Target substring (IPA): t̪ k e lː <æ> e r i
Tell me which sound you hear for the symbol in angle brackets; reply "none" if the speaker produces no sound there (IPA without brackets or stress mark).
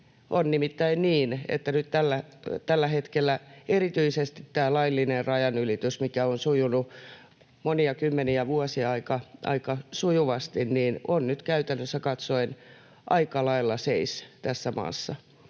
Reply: æ